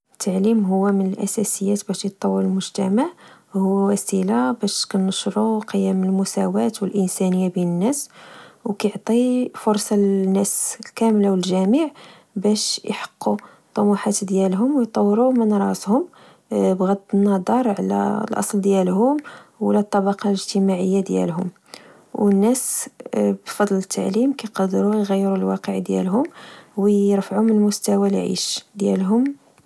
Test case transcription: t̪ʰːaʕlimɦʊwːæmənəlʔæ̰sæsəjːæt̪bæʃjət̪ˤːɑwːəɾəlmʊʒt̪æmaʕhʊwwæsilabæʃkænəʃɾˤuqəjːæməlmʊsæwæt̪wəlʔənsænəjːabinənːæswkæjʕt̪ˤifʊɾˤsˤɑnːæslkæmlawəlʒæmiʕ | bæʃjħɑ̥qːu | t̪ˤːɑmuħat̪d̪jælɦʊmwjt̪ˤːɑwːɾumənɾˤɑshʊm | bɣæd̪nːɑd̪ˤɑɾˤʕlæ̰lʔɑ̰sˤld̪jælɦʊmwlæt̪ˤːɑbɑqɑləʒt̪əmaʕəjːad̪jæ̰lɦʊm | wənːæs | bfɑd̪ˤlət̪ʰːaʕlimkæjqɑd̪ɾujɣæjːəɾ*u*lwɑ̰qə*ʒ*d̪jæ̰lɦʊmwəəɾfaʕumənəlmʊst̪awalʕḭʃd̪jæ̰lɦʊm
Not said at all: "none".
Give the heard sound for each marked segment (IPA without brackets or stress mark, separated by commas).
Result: u, ʕ